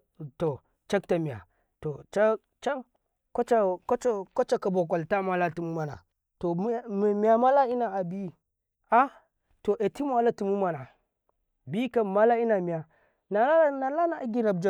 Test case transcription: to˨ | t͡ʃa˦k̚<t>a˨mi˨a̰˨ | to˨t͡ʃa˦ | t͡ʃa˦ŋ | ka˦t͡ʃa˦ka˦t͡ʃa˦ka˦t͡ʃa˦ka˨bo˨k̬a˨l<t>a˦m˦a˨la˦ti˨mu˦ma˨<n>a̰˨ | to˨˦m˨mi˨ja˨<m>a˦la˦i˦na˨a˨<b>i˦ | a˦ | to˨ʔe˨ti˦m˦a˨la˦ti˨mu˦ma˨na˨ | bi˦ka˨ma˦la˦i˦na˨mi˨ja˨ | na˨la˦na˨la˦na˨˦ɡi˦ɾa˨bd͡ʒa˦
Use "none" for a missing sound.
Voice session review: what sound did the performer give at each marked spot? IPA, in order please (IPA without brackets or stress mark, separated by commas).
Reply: t, t, n, m, b